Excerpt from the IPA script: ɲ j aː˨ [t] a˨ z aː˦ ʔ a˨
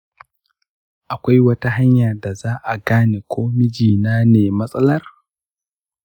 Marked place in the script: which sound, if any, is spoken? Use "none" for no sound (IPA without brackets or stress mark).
d